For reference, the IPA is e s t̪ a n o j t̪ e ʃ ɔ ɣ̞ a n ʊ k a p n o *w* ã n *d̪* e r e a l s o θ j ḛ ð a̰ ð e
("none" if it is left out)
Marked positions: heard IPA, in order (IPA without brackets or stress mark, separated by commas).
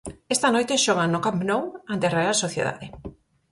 w, t̪